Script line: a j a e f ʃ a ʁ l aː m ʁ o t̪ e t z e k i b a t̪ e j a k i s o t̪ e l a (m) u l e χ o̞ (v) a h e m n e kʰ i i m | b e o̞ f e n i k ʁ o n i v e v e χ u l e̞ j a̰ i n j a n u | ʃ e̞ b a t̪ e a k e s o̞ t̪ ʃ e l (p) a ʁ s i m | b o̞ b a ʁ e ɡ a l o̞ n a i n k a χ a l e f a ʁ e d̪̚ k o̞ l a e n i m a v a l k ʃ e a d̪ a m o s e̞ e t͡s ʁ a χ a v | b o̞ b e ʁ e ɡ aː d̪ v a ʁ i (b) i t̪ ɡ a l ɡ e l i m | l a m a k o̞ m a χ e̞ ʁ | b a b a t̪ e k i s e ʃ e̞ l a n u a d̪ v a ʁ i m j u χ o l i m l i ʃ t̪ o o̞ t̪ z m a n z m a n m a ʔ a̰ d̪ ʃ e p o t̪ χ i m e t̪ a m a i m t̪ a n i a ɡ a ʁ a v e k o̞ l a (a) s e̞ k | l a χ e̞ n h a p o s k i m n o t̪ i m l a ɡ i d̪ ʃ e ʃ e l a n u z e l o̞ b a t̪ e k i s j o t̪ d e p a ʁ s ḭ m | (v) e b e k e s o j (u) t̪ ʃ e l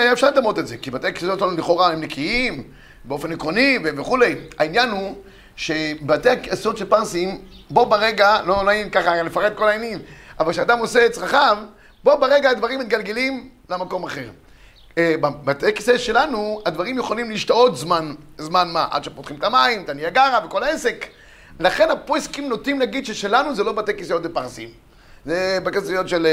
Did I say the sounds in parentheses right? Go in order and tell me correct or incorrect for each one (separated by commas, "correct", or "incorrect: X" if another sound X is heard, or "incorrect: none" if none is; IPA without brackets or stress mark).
incorrect: n, incorrect: ʁ, correct, incorrect: m, incorrect: e, incorrect: z, incorrect: o